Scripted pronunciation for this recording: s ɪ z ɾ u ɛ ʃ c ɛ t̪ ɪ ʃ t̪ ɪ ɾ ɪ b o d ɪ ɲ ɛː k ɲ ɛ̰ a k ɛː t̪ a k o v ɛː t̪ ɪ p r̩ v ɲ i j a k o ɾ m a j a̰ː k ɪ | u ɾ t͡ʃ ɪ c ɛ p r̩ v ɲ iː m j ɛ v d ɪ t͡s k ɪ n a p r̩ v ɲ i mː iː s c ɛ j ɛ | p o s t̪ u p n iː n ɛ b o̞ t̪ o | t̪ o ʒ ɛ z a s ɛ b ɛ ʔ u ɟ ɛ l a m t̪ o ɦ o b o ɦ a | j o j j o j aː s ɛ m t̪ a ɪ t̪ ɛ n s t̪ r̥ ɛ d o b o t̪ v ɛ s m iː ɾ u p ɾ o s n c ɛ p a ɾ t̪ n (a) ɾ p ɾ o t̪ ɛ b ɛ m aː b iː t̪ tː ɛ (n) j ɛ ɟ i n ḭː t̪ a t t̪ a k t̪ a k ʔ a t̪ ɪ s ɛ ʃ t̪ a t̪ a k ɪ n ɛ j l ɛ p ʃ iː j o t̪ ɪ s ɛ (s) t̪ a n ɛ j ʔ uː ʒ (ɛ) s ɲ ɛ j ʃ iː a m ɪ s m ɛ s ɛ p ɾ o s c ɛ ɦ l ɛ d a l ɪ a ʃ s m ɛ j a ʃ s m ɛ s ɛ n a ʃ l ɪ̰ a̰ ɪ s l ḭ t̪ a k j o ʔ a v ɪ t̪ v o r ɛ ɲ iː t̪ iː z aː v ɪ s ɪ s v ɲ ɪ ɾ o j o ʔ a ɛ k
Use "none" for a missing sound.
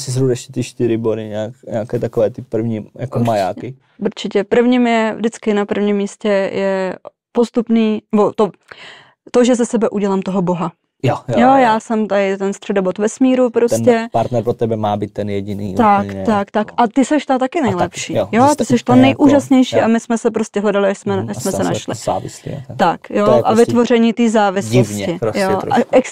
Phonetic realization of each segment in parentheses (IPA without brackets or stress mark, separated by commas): ɛ, n, ʃ, a